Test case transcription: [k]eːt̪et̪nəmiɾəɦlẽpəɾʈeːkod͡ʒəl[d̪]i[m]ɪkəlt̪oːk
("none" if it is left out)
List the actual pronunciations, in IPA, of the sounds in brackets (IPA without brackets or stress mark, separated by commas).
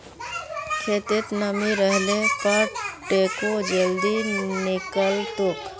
kʰ, d̪, n